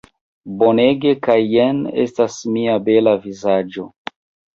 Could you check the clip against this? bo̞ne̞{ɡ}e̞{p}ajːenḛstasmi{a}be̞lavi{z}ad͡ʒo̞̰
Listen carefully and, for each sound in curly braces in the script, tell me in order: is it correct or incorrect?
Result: correct, incorrect: k, correct, correct

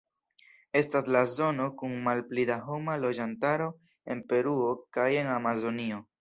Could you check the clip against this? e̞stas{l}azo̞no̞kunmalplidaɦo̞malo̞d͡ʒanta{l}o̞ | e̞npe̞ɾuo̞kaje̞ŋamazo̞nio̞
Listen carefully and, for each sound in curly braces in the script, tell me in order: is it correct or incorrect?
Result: correct, incorrect: ɾ

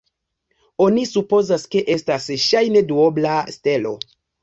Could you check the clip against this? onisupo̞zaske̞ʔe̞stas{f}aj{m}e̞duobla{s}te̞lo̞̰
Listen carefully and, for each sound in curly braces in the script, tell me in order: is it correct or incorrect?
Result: incorrect: ʃ, incorrect: n, correct

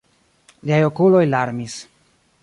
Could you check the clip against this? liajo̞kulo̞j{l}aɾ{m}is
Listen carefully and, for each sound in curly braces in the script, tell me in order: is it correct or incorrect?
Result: correct, correct

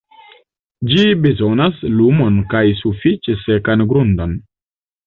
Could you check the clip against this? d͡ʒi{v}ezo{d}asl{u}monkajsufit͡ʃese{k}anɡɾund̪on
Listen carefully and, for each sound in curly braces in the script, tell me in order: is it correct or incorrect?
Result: incorrect: b, incorrect: n, correct, correct

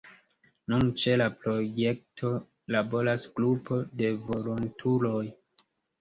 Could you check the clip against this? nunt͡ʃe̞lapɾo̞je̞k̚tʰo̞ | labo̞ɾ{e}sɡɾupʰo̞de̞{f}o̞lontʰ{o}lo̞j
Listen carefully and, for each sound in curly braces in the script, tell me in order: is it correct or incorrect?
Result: incorrect: a, incorrect: v, incorrect: u

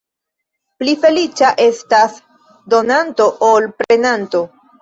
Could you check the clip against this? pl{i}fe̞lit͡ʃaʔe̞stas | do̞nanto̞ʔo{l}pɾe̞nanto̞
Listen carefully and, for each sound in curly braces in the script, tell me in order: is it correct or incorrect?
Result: correct, correct

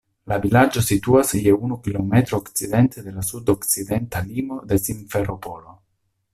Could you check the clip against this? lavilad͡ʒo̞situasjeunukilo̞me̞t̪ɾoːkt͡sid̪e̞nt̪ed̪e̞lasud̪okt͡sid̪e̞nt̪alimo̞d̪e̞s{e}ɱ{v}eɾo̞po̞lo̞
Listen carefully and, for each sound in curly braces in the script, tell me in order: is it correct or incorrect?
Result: incorrect: i, incorrect: f

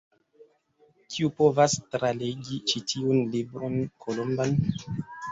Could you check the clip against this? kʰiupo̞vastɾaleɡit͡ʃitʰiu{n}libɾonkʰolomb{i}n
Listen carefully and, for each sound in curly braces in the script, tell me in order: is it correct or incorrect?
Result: correct, incorrect: a

